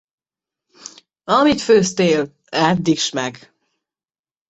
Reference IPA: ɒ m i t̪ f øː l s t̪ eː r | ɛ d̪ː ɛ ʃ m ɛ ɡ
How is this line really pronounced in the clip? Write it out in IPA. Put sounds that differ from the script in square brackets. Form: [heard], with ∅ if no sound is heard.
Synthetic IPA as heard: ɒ m i t̪ f øː [∅] s t̪ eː [l] | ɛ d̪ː [i] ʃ m ɛ ɡ

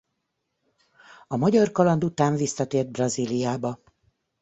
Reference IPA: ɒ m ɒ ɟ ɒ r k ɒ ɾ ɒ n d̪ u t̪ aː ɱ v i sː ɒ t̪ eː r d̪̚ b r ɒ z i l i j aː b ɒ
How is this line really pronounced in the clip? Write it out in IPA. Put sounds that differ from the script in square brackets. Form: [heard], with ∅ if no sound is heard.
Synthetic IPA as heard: ɒ m ɒ ɟ ɒ r k ɒ [l] ɒ n d̪ u t̪ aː ɱ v i sː ɒ t̪ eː r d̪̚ b r ɒ z i l i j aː b ɒ

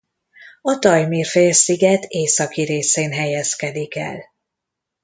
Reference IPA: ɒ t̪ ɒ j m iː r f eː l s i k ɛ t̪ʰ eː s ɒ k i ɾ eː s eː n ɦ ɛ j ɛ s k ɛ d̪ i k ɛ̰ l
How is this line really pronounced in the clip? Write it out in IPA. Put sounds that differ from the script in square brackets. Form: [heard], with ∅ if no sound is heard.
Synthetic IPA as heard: ɒ t̪ ɒ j m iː r f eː l s i [ɡ] ɛ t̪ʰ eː s ɒ k i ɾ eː s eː n ɦ ɛ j ɛ s k ɛ d̪ i k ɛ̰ l

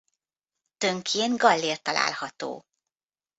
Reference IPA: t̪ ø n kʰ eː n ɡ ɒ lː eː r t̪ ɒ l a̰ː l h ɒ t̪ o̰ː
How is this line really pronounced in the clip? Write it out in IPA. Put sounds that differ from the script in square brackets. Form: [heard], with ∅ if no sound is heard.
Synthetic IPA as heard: t̪ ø [ŋ] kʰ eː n ɡ ɒ lː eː r t̪ ɒ l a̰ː l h ɒ t̪ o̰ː

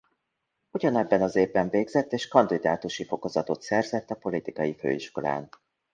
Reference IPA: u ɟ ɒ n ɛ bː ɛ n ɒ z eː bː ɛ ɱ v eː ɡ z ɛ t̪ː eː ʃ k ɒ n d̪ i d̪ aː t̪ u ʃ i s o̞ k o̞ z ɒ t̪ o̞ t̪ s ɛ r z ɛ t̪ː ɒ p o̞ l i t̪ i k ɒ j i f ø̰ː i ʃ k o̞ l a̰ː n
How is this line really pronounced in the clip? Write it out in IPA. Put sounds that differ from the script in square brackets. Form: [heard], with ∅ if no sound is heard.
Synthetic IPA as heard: u ɟ ɒ n ɛ bː ɛ n ɒ z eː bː ɛ ɱ v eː ɡ z ɛ t̪ː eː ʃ k ɒ n d̪ i d̪ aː t̪ u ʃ i [f] o̞ k o̞ z ɒ t̪ o̞ t̪ s ɛ r z ɛ t̪ː ɒ p o̞ l i t̪ i k ɒ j i f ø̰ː i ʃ k o̞ l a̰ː n

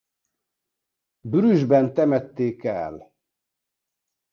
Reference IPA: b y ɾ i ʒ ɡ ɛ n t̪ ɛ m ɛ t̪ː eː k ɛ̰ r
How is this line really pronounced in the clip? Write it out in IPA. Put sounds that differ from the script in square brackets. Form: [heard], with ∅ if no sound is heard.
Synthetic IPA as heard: b y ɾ [y] ʒ [b] ɛ n t̪ ɛ m ɛ t̪ː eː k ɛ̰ [l]

